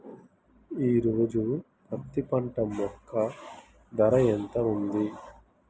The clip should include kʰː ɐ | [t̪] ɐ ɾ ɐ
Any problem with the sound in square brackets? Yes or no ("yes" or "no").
yes